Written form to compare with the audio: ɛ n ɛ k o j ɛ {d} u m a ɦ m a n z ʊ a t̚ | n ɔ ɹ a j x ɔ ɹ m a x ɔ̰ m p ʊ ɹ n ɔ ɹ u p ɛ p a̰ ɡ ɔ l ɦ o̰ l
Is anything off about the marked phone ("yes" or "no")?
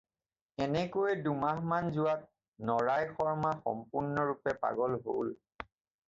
no